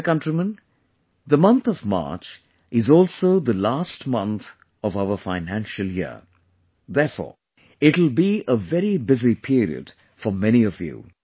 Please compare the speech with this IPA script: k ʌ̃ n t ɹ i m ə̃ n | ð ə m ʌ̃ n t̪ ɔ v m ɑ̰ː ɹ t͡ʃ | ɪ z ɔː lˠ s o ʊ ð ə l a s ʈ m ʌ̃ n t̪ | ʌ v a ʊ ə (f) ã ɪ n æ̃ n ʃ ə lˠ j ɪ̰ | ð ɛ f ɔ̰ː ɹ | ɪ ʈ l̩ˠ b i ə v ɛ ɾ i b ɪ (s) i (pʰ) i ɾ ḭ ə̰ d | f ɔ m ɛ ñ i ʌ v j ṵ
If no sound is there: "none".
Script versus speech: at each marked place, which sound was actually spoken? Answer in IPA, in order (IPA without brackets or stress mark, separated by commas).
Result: f, z, pʰ